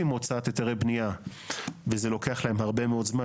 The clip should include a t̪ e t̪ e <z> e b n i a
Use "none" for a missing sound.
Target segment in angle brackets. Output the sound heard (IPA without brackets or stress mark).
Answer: ʁ